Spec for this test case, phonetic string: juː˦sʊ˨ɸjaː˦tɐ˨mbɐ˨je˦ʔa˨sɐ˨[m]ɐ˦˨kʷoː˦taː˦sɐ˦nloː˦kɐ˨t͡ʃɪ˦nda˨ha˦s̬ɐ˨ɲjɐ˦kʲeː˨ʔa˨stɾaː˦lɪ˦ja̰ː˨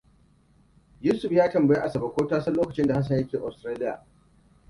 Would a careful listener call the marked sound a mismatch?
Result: yes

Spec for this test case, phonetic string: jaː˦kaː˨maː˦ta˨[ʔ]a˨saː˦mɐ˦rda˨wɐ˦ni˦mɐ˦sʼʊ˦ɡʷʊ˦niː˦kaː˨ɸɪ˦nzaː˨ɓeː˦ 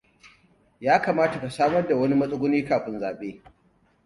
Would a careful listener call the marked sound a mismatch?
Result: yes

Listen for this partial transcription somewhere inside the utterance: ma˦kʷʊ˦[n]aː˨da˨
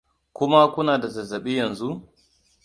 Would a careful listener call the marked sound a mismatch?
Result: no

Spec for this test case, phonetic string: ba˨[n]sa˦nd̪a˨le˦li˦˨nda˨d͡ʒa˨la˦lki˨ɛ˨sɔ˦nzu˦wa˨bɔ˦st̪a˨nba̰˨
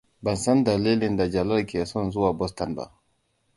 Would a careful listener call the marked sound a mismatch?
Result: no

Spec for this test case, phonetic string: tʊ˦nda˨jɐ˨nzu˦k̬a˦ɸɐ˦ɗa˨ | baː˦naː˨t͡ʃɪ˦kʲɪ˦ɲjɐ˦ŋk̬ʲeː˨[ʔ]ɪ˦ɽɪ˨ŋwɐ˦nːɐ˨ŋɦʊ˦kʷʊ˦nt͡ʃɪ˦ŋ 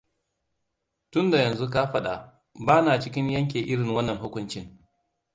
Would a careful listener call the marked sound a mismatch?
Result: no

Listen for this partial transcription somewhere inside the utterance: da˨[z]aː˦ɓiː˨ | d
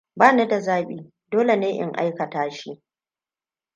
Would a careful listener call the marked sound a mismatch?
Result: no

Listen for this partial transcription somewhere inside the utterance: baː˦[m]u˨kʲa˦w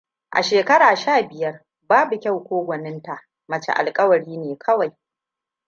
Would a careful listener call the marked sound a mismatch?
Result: yes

